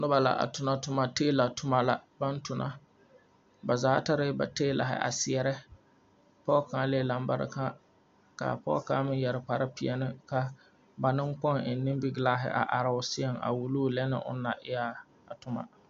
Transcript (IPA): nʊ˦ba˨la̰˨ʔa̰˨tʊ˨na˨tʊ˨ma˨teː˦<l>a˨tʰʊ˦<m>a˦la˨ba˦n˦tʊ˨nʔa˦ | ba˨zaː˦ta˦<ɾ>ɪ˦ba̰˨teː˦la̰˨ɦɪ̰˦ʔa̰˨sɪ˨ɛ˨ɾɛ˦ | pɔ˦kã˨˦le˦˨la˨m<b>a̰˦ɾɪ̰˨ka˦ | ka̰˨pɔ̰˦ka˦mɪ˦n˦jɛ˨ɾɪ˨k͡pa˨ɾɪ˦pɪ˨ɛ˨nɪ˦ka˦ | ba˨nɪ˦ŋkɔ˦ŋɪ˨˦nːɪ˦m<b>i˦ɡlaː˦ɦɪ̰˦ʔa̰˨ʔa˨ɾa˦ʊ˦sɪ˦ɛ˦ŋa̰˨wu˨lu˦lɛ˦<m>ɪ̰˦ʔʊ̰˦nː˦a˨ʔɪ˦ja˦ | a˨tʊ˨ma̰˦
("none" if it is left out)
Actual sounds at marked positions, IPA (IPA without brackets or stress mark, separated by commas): l, m, ɾ, b, b, n